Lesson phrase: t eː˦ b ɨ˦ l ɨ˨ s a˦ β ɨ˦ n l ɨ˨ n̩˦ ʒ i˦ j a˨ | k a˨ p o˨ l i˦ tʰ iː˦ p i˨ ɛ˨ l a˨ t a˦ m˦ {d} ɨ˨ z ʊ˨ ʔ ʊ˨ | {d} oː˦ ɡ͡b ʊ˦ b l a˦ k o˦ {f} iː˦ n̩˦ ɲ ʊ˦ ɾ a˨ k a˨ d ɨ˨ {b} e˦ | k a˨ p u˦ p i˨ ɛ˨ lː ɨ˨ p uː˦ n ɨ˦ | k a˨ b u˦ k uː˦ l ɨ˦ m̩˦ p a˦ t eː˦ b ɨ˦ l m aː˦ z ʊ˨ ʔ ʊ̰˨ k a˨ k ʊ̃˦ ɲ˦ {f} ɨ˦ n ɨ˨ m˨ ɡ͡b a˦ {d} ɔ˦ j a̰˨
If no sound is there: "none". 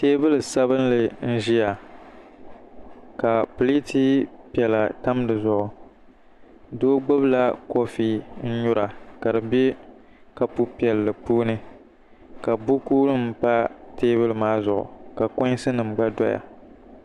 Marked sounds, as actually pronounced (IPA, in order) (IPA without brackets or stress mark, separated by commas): d, d, f, b, s, d